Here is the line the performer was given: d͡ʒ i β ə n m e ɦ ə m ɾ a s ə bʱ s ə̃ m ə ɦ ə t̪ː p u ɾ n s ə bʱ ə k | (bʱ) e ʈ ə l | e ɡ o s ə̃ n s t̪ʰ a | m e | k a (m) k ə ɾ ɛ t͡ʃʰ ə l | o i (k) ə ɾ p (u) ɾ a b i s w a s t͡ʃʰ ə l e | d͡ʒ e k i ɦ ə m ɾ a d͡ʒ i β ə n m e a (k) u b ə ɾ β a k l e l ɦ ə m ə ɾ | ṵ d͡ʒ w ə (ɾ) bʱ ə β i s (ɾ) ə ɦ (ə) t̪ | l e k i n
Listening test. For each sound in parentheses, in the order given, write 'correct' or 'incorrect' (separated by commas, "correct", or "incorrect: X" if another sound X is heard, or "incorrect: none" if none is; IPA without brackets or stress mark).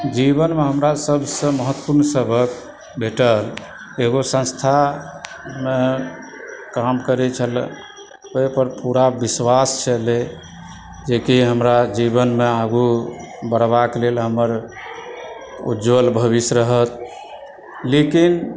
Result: correct, correct, incorrect: p, correct, incorrect: ɡ, incorrect: l, correct, correct